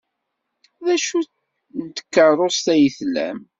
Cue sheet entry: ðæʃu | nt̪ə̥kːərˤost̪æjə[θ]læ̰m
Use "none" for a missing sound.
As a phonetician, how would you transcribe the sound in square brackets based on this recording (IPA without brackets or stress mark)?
θ